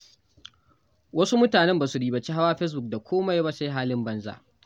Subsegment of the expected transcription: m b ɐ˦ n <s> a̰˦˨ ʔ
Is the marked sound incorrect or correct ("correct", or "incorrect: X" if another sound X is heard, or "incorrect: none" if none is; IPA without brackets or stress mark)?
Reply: incorrect: z